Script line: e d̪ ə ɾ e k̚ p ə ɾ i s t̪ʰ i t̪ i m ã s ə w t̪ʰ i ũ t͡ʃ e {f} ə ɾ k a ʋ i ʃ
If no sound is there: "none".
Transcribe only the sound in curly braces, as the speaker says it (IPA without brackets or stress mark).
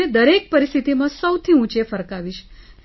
f